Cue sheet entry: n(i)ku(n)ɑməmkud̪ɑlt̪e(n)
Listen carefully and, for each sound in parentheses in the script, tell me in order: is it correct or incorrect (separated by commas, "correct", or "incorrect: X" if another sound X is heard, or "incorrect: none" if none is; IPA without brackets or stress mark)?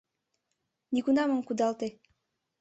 correct, correct, incorrect: none